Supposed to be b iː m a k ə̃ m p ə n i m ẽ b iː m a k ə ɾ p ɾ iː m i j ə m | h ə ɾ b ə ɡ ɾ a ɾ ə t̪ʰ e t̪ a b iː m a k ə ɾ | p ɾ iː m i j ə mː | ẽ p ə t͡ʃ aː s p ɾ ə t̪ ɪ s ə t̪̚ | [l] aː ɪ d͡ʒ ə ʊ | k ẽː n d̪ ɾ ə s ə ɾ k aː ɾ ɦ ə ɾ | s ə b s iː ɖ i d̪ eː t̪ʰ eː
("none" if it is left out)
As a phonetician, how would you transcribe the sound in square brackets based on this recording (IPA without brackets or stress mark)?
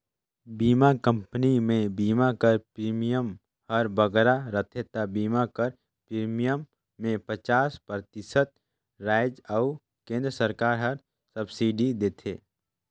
ɾ